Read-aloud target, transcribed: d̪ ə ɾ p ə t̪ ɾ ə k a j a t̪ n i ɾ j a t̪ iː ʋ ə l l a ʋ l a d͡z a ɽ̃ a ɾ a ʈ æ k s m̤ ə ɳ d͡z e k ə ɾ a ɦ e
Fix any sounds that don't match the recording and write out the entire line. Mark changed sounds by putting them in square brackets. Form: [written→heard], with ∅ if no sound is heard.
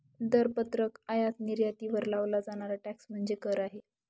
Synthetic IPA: d̪ ə ɾ p ə t̪ ɾ ə k a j a t̪ n i ɾ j a t̪ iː ʋ ə [l→ɾ] l a ʋ l a d͡z a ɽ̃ a ɾ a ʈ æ k s m̤ ə ɳ d͡z e k ə ɾ a ɦ e